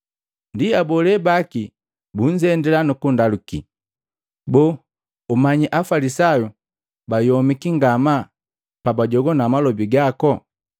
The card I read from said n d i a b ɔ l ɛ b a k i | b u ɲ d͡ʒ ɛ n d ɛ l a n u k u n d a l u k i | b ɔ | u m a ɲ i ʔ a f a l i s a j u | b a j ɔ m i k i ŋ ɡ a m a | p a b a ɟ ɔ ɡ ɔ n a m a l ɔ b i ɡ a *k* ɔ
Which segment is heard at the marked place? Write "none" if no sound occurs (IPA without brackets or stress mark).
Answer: k